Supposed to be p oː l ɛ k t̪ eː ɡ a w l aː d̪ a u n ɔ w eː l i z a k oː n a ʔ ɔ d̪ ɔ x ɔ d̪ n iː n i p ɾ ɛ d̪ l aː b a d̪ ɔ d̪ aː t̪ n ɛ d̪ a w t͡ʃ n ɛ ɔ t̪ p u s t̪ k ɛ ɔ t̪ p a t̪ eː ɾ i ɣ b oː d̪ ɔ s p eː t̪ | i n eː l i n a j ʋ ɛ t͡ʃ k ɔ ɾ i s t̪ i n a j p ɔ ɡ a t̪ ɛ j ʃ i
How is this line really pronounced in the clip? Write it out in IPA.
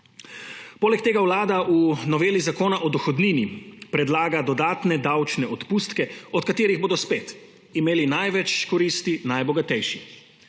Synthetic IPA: p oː l ɛ k t̪ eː ɡ a w l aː d̪ a u n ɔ ʋ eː l i z a k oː n a ʔ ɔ d̪ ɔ x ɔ d̪ n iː n i p ɾ ɛ d̪ l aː ɡ a d̪ ɔ d̪ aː t̪ n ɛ d̪ a w t͡ʃ n ɛ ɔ t̪ p u s t̪ k ɛ ɔ t̪ k a t̪ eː ɾ i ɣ b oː d̪ ɔ s p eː t̪ | i m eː l i n a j ʋ ɛ t͡ʃ k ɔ ɾ i s t̪ i n a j b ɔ ɡ a t̪ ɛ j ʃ i